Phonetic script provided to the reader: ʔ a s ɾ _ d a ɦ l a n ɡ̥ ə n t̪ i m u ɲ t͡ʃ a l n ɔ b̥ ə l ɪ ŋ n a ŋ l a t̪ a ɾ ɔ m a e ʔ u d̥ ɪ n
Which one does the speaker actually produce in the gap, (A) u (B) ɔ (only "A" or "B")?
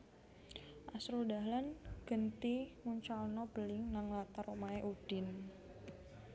A